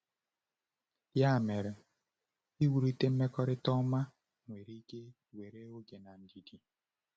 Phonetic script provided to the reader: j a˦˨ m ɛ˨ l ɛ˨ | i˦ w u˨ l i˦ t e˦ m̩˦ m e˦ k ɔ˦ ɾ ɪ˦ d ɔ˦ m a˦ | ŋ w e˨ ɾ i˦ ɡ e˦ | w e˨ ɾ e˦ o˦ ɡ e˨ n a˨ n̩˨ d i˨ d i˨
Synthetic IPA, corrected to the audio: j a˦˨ m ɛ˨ ɾ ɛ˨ | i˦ w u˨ ɾ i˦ t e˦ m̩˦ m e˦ k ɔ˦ ɾ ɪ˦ t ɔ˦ m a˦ | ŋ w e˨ ɾ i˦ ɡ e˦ | w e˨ ɾ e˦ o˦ ɡ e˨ n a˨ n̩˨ d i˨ d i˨